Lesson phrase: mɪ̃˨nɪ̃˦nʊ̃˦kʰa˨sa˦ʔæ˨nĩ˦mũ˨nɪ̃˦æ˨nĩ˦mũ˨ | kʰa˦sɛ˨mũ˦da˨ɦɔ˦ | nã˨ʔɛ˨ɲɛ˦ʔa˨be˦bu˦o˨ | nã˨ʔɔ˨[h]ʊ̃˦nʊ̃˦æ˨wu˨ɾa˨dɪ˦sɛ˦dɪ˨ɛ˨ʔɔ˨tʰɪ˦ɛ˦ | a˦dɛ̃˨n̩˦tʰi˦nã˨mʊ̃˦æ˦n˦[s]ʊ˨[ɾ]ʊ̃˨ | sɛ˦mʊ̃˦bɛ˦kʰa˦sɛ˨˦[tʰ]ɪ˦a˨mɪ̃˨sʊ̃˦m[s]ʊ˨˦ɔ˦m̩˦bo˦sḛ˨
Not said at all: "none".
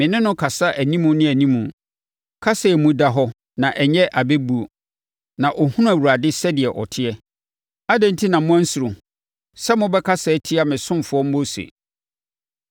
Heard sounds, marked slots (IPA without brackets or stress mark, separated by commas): h, s, ɾ, tʰ, f